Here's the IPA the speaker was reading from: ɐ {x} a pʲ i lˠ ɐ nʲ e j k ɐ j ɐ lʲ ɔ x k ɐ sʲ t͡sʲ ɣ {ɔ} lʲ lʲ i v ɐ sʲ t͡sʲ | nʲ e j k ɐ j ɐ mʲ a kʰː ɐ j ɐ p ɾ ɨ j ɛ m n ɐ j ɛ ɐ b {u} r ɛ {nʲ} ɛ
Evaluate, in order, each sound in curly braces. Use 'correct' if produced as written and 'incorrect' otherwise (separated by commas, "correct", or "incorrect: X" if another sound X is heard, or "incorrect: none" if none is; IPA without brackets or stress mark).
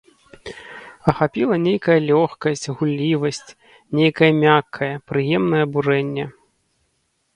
correct, incorrect: u, correct, incorrect: nʲː